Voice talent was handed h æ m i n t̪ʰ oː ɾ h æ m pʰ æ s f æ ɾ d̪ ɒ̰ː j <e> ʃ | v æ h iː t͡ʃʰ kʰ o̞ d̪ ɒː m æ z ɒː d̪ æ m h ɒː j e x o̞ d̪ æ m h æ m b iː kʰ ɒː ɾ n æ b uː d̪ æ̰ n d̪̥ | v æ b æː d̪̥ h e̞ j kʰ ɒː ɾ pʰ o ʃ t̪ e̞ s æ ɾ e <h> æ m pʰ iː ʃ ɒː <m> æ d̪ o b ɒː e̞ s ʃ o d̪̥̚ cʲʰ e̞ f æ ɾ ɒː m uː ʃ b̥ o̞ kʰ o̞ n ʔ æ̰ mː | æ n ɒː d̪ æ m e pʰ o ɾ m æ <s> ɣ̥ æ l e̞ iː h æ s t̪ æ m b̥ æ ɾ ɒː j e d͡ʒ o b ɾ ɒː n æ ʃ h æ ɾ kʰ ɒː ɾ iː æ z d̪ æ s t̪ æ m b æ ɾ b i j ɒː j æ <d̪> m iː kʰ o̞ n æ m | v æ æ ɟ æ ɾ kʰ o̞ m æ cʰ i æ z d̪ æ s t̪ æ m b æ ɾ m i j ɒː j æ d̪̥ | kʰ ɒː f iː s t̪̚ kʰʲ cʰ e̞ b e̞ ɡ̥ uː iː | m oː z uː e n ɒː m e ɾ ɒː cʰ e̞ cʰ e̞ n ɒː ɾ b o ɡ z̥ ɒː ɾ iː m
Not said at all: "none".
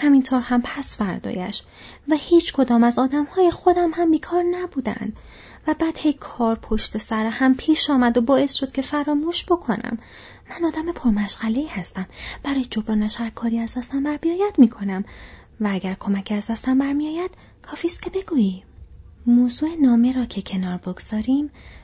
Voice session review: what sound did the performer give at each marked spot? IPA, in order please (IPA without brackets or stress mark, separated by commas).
æ, h, m, ʃ, d̪